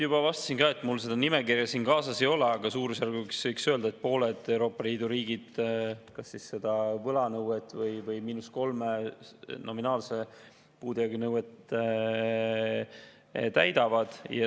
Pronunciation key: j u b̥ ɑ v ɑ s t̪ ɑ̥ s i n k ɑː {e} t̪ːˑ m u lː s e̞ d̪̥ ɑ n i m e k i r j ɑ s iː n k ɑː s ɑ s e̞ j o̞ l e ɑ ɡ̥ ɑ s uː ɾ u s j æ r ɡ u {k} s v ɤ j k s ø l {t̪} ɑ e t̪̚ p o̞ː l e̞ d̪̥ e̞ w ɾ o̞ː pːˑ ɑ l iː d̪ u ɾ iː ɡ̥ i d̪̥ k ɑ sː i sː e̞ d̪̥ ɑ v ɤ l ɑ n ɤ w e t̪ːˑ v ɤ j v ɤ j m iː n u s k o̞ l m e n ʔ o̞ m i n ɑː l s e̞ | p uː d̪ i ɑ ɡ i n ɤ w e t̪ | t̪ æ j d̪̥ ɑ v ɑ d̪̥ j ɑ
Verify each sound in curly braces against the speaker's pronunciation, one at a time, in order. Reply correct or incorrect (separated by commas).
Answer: correct, correct, incorrect